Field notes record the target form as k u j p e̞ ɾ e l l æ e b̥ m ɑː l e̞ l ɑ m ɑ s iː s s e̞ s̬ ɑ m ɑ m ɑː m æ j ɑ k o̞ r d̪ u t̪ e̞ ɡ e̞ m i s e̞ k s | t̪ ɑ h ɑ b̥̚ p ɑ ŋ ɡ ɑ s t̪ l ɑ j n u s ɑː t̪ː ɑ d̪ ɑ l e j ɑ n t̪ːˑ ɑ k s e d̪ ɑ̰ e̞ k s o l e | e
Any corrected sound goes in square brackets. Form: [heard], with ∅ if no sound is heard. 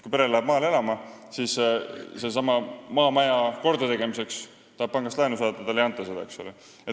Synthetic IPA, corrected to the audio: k u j p e̞ ɾ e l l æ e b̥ m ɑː l e̞ l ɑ m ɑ s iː s s e̞ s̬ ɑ m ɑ m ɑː m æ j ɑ k o̞ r d̪ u t̪ e̞ ɡ e̞ m i s e̞ k s | t̪ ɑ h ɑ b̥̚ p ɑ ŋ ɡ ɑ s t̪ l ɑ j n u s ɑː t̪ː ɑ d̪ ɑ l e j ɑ n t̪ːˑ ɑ [∅] s e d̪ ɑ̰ e̞ k s o l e | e